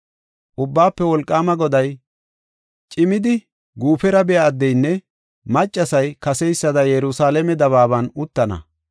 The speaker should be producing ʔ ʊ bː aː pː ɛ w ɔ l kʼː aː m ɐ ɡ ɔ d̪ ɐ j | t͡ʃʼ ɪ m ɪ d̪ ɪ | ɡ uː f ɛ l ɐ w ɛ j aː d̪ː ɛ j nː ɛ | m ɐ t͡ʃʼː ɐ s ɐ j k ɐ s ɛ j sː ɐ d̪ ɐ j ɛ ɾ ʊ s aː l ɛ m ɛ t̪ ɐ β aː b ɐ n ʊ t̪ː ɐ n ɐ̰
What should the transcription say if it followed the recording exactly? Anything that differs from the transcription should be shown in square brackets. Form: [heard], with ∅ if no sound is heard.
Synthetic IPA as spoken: ʔ ʊ bː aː pː ɛ w ɔ l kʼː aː m ɐ ɡ ɔ d̪ ɐ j | t͡ʃʼ ɪ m ɪ d̪ ɪ | ɡ uː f ɛ [ɾ] ɐ [b] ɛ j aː d̪ː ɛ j nː ɛ | m ɐ t͡ʃʼː ɐ s ɐ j k ɐ s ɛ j sː ɐ d̪ ɐ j ɛ ɾ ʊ s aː l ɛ m ɛ [d̪] ɐ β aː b ɐ n ʊ t̪ː ɐ n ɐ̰